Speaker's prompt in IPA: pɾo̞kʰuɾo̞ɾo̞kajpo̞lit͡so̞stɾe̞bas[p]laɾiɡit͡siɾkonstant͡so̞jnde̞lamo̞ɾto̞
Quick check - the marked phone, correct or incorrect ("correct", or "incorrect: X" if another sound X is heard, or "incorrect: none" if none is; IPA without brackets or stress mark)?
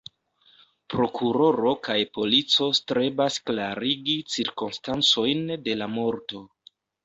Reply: incorrect: k